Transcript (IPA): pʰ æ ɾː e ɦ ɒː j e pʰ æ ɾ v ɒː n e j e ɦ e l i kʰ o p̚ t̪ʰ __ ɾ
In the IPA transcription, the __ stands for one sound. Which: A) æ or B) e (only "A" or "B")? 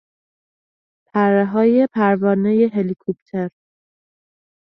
B